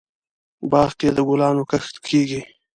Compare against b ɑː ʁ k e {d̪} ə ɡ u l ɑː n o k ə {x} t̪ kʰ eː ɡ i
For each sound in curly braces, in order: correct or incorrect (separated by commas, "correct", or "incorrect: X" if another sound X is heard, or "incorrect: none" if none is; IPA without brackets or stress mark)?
correct, correct